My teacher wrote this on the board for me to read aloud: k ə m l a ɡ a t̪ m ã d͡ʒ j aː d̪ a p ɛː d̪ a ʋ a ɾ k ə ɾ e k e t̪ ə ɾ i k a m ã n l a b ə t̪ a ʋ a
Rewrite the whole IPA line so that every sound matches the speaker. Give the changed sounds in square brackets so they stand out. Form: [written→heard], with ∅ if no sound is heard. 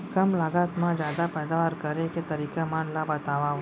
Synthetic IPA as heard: k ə m l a ɡ a t̪ m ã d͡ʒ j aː d̪ a p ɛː d̪ a ʋ a ɾ k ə ɾ e k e t̪ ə ɾ i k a m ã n l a b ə t̪ a ʋ a